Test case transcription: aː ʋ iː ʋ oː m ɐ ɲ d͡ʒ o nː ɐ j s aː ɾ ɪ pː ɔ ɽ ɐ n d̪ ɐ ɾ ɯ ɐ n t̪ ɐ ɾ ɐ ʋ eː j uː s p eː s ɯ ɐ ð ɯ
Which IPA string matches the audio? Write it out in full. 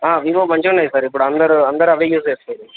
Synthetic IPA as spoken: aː ʋ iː ʋ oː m ɐ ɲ d͡ʒ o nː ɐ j s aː ɾ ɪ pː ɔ ɽ ɐ n d̪ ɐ ɾ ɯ ɐ n d̪ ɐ ɾ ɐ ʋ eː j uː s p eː s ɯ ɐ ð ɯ